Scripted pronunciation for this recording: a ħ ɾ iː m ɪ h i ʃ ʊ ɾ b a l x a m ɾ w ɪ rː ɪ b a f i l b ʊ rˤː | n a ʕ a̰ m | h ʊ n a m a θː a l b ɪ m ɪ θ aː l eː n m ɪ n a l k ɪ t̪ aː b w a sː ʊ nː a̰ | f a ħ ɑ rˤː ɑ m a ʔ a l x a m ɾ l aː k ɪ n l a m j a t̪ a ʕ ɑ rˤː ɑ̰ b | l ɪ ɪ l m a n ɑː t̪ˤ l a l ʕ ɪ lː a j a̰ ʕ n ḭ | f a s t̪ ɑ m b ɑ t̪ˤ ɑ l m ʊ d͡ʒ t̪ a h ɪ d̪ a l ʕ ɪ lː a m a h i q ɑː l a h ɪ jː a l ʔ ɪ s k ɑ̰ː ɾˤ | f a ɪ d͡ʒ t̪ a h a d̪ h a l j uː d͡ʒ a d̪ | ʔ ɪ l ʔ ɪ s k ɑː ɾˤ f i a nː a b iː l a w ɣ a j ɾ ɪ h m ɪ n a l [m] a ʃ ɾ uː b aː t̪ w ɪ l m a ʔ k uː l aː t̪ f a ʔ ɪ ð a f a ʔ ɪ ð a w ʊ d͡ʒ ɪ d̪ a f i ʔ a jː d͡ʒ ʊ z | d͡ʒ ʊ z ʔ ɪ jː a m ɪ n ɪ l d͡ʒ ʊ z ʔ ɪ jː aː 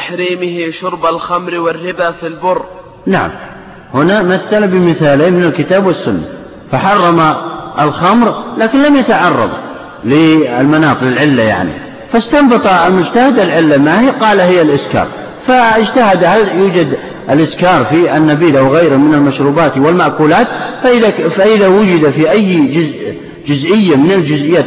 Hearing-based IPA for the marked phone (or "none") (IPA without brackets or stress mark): m